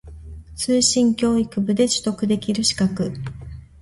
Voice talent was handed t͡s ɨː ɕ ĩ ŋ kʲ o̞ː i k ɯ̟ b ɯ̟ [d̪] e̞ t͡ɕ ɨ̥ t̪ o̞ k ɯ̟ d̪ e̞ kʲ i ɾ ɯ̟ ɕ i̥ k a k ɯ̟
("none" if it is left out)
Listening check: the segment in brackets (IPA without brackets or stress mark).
d̪